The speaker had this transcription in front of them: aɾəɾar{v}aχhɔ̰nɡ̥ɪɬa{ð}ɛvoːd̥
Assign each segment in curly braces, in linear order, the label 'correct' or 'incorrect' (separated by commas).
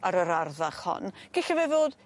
incorrect, incorrect